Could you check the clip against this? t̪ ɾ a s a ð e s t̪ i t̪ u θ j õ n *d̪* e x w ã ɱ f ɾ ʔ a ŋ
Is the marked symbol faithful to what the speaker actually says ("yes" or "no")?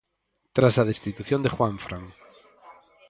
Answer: yes